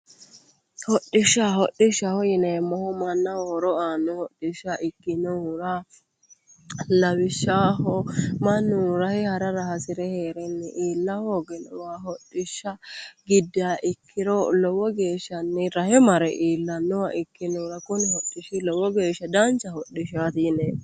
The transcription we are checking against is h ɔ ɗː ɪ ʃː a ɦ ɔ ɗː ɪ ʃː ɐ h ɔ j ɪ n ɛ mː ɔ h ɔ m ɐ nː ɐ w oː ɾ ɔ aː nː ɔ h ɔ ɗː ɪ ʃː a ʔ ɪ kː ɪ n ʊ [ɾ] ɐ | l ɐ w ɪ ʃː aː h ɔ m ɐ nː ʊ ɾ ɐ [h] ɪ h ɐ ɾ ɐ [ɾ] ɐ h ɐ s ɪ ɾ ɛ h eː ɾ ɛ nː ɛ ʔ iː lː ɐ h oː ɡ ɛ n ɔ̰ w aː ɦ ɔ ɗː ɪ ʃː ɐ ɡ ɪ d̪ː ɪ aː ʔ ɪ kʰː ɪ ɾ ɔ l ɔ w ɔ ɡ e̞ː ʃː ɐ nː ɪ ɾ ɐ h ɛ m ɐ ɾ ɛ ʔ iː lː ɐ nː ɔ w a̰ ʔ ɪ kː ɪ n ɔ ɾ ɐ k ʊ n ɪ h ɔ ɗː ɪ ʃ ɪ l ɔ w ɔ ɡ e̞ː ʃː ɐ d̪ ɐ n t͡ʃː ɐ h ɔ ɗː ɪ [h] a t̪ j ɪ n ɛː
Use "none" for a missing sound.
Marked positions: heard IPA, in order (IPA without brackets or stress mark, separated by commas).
ɾ, h, ɾ, ʃ